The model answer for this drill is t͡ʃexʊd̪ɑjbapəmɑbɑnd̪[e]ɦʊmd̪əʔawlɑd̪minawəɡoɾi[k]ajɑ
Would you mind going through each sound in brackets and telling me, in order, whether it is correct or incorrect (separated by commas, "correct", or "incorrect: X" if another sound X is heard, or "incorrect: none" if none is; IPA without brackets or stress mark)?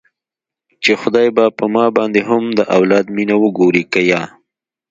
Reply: correct, correct